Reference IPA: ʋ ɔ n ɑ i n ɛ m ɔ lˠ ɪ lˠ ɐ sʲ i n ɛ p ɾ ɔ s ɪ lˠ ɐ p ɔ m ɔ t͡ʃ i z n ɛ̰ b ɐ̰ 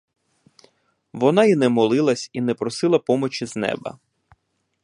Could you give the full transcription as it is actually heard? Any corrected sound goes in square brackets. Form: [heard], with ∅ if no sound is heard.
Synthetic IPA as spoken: ʋ ɔ n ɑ i n ɛ m ɔ lˠ ɪ lˠ ɐ sʲ i n ɛ p ɾ ɔ s ɪ lˠ ɐ p ɔ m ɔ t͡ʃ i z n ɛ̰ b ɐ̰